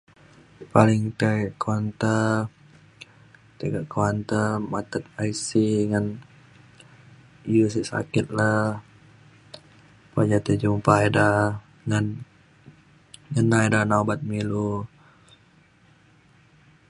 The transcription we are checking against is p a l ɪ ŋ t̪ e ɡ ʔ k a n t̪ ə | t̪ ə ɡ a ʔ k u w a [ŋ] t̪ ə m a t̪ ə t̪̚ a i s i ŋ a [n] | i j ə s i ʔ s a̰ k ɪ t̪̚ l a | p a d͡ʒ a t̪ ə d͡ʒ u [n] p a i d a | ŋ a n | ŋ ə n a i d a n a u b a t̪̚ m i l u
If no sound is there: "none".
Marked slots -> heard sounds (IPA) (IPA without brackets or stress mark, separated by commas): n, n, m